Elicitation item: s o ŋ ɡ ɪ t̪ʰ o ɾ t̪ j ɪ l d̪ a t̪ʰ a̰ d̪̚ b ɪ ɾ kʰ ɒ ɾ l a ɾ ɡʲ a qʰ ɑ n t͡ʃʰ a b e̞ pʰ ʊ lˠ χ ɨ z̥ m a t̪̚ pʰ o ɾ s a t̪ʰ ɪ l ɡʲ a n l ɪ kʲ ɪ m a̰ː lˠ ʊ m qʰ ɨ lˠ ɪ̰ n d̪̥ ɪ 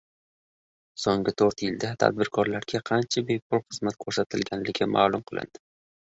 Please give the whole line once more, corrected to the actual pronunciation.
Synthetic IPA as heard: s o ŋ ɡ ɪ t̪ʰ o ɾ t̪ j ɪ l d̪ a t̪ʰ a̰ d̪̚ b ɪ ɾ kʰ ɒ ɾ l a ɾ ɡʲ a qʰ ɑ n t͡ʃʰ a b e̞ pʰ ʊ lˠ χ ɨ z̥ m a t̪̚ kʰ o ɾ s a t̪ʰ ɪ l ɡʲ a n l ɪ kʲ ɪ m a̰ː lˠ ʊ m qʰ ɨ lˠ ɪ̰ n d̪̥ ɪ